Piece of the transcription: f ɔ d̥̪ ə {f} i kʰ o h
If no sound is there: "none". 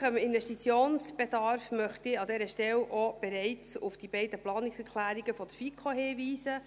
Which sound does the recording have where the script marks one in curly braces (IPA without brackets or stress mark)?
f